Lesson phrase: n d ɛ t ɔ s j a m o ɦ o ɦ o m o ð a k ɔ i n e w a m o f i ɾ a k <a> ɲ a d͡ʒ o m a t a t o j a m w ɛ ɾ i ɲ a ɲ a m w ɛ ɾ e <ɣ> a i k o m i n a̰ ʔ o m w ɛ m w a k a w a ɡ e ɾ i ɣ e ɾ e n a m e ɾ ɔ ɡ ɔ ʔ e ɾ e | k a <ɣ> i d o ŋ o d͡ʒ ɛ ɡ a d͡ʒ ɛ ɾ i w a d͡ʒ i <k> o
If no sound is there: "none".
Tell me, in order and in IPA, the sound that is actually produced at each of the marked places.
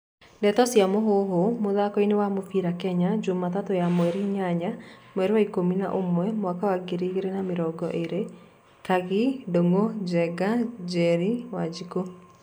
ɛ, w, ɣ, k

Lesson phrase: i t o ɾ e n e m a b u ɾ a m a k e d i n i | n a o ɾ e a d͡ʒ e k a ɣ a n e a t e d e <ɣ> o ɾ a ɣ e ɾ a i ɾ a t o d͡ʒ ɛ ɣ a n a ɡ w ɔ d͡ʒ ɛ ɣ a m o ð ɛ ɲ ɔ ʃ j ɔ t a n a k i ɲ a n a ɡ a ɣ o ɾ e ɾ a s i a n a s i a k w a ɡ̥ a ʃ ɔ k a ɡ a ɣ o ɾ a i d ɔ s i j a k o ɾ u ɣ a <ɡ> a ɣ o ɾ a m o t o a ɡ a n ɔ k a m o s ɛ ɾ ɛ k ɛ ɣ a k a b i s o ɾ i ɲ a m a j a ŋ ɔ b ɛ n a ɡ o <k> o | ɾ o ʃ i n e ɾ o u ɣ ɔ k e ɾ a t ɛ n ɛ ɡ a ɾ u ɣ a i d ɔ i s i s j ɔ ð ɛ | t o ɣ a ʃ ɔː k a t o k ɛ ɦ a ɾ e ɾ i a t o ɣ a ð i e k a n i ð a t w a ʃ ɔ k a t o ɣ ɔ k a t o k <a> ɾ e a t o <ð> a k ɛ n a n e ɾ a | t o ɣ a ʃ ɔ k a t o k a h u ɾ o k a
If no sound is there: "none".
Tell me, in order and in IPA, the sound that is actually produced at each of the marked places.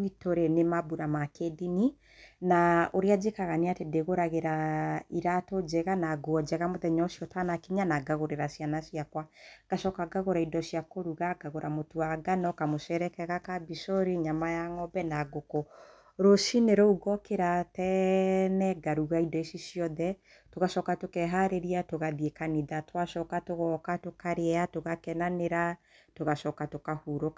ɣ, ɡ, k, a, ɣ

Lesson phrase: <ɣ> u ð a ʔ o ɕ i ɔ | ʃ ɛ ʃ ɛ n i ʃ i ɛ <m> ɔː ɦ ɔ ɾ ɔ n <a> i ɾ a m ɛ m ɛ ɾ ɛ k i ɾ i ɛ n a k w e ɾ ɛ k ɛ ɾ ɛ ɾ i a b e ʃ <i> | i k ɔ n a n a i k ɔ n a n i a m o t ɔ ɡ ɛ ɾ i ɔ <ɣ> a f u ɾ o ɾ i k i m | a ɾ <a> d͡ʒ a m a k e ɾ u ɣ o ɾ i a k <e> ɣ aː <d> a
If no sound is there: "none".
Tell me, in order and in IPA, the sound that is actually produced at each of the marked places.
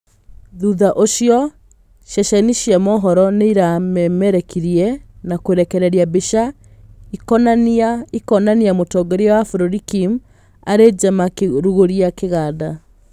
ð, m, e, a, w, e, e, d

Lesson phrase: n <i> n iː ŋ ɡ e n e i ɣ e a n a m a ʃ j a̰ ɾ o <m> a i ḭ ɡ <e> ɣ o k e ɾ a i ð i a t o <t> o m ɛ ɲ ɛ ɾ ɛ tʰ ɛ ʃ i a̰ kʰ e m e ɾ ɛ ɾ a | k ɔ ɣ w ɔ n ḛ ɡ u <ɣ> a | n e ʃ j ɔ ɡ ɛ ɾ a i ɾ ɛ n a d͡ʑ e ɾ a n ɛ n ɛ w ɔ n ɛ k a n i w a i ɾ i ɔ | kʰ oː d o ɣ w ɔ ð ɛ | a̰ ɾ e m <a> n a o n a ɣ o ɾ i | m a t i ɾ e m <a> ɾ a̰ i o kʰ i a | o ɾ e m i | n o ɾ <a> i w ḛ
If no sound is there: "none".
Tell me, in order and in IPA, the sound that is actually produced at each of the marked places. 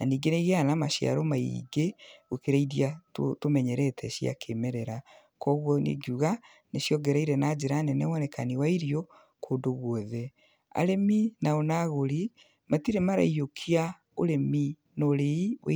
a, m, e, t, ɣ, i, a, e

